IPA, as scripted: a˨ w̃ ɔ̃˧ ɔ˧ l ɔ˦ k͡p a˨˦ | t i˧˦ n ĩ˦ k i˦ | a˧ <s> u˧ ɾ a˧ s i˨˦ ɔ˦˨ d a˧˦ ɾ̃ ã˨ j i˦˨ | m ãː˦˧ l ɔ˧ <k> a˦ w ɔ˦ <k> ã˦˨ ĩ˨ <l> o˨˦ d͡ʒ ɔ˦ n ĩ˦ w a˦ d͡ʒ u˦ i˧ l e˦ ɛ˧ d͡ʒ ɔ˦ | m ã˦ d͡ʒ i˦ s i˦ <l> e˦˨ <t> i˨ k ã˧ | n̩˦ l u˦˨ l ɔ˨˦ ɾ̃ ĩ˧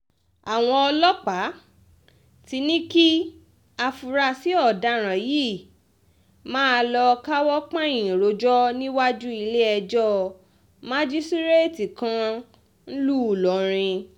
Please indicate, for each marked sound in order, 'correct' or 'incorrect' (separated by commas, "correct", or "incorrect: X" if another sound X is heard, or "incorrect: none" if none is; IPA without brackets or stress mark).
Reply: incorrect: f, correct, incorrect: k͡p, incorrect: ɾ, incorrect: ɾ, correct